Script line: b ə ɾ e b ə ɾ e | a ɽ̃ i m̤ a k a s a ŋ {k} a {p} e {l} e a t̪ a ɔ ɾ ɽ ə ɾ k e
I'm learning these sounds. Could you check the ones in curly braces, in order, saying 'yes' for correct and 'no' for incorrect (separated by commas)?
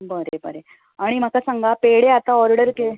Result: no, yes, no